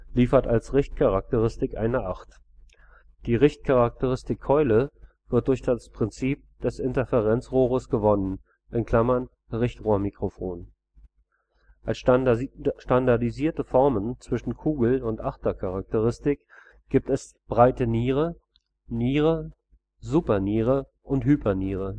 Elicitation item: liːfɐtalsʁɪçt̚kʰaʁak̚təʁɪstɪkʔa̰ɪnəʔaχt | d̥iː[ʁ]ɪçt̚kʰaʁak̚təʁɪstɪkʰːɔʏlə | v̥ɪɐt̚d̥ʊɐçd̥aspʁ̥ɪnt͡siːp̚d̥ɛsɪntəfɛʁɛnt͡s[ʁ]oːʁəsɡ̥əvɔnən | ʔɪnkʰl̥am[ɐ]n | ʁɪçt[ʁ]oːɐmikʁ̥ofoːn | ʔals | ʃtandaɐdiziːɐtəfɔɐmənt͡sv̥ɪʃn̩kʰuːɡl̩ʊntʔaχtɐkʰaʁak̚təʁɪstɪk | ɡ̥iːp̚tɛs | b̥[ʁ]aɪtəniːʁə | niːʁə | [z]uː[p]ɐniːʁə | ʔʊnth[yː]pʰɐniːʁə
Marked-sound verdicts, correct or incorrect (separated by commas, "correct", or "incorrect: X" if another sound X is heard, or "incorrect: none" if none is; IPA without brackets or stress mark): correct, correct, correct, correct, correct, correct, correct, correct